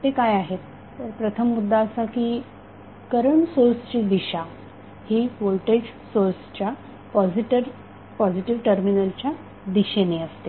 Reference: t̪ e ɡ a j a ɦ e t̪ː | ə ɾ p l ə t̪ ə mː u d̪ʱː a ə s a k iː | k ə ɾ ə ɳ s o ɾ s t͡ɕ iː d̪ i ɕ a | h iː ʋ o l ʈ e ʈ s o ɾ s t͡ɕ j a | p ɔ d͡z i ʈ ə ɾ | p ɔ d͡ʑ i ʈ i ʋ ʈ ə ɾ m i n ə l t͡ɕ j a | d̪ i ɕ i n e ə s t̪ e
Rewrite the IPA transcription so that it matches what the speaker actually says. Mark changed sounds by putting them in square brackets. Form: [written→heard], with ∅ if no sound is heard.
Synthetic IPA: t̪ e [ɡ→k] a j a ɦ e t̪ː | ə ɾ p [l→ɾ] ə [t̪→t̪ʰ] ə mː u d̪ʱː a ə s a k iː | k ə ɾ ə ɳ s o ɾ s t͡ɕ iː d̪ i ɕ a | h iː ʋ o l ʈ e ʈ s o ɾ s t͡ɕ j a | p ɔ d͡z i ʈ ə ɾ | p ɔ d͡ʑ i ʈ i ʋ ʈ ə ɾ m i n ə l t͡ɕ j a | d̪ i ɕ [i→e] n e ə s t̪ e

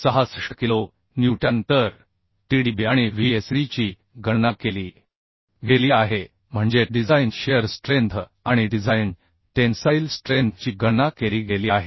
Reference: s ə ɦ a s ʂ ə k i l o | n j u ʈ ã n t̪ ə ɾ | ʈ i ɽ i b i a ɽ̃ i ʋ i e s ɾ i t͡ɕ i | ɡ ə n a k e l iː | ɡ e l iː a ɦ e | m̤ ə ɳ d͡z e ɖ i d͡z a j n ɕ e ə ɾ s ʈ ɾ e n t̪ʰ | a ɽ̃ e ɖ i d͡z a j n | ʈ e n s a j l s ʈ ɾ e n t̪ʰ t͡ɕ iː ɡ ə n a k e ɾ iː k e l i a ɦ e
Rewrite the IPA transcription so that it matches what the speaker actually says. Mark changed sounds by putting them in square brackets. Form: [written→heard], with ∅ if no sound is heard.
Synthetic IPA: s ə ɦ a s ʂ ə k i l o | n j u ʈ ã n t̪ ə ɾ | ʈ i ɽ i b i a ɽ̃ i ʋ i e s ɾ i t͡ɕ i | ɡ ə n a k e l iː | ɡ e l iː a ɦ e | m̤ ə ɳ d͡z e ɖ i d͡z a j n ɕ e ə ɾ s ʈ ɾ e n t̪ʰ | a ɽ̃ [e→i] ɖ i d͡z a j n | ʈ e n s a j l s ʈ ɾ e n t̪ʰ t͡ɕ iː ɡ ə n a k e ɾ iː [k→ɡ] e l i a ɦ e

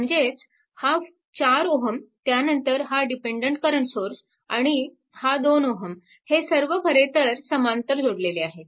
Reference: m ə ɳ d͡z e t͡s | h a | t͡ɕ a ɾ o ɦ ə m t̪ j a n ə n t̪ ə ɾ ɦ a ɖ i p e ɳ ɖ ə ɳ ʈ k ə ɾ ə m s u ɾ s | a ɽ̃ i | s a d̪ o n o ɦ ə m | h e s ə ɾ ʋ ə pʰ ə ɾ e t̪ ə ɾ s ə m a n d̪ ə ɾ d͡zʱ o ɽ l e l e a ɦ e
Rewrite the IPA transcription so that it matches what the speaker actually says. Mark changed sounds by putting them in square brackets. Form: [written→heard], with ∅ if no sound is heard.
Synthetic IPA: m ə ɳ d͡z e t͡s | h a | t͡ɕ a ɾ o ɦ ə m t̪ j a n ə n t̪ ə ɾ ɦ a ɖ i p e ɳ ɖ ə ɳ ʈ k ə ɾ ə [m→ɳ] s [u→o] ɾ s | a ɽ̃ i | [s→h] a d̪ o n o ɦ ə m | h e s ə ɾ ʋ ə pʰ ə ɾ e t̪ ə ɾ s ə m a n [d̪→t̪] ə ɾ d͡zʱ o ɽ l e l e a ɦ e

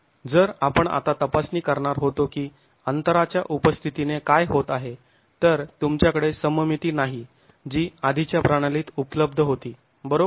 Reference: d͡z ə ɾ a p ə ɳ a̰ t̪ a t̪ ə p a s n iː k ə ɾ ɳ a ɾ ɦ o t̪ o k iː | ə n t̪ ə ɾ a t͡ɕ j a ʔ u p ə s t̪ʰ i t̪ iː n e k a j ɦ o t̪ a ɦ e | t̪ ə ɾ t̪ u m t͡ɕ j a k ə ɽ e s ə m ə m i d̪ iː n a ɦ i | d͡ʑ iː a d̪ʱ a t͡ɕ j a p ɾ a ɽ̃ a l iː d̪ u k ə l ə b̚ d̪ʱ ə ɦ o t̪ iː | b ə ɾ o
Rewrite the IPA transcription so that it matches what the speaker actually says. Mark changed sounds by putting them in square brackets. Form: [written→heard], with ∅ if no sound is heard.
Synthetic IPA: d͡z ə ɾ a p ə ɳ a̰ t̪ a t̪ ə p a s n iː k ə ɾ ɳ a ɾ ɦ o t̪ o k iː | ə n t̪ ə ɾ a t͡ɕ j a ʔ u p ə s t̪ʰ i t̪ [iː→i] n e k a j ɦ o t̪ a ɦ e | t̪ ə ɾ t̪ u m t͡ɕ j a k ə ɽ e s ə m ə m i [d̪→t̪] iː n a ɦ i | d͡ʑ iː a d̪ʱ [a→i] t͡ɕ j a p ɾ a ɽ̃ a l iː [d̪→t̪] u [k→p] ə l ə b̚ d̪ʱ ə ɦ o t̪ iː | b ə ɾ o

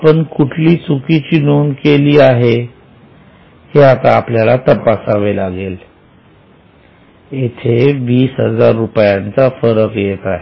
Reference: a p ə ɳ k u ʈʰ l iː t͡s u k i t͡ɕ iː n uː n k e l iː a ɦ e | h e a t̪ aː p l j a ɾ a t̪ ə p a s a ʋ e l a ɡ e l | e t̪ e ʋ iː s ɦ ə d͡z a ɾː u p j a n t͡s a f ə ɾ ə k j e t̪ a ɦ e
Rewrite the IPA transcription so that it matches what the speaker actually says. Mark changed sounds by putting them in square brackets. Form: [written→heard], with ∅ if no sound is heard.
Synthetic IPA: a p ə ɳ k u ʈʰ l iː t͡s u k i t͡ɕ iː n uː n k e l iː a ɦ e | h e a t̪ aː p l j a [ɾ→l] a t̪ ə p a s a ʋ e l a ɡ e l | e [t̪→t̪ʰ] e ʋ iː s ɦ ə d͡z a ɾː u p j a n t͡s a f ə ɾ ə k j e t̪ a ɦ e

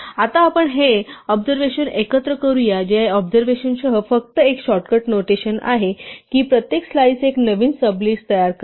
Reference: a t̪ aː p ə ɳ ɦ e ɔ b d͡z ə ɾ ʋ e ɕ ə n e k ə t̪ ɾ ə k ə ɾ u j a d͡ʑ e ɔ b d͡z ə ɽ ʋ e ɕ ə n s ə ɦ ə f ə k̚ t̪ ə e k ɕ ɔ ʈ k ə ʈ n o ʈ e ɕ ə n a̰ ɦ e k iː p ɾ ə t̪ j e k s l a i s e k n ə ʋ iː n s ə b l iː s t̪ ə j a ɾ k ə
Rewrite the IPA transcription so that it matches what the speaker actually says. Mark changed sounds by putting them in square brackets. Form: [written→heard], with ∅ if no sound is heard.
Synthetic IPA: a t̪ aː p ə ɳ ɦ e ɔ b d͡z ə ɾ ʋ e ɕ ə n e k ə t̪ ɾ ə k ə ɾ u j a d͡ʑ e ɔ b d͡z ə [ɽ→ɾ] ʋ e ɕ ə n s ə ɦ ə f ə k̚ t̪ ə e k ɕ ɔ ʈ k ə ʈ n o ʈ e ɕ ə n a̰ ɦ e k iː p ɾ ə t̪ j e k s l a i s e k n ə ʋ iː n s ə b l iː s t̪ ə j a ɾ k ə

